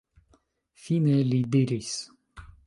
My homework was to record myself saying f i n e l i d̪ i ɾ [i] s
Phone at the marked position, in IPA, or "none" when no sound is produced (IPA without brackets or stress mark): i